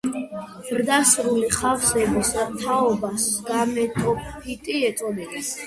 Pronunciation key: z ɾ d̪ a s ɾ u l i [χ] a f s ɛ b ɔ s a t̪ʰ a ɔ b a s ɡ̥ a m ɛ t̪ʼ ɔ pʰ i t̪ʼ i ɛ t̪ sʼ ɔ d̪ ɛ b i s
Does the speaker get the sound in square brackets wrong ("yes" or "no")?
no